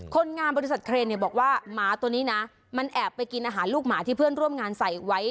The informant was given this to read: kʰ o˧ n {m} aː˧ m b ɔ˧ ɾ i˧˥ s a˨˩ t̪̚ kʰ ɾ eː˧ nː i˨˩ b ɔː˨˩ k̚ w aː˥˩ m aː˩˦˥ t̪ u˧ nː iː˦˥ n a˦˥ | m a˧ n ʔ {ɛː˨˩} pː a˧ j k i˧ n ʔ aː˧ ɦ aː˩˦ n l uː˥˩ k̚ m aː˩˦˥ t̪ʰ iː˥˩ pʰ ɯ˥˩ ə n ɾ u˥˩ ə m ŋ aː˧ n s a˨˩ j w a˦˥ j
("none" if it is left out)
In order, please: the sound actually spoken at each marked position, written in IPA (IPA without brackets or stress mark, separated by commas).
ŋ, ɛː˨˩